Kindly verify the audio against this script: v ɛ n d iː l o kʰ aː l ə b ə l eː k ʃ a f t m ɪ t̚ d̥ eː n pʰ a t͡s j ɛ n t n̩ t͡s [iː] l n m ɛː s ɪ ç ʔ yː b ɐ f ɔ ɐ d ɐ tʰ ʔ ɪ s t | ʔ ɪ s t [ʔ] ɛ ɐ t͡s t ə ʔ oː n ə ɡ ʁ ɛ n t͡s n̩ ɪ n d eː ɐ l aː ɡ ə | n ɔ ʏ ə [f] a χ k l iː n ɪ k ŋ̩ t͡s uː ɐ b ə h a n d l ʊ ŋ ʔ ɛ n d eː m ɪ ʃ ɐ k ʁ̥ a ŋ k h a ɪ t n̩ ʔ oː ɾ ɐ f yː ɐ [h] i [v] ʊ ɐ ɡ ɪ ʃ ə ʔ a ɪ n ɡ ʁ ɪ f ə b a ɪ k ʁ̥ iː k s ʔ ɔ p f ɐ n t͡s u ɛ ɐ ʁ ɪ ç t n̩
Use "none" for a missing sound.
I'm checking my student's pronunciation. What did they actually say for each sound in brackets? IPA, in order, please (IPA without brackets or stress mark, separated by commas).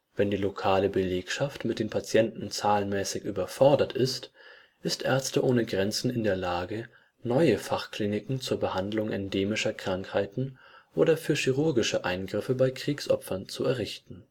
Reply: aː, ʔ, f, ʃ, ʁ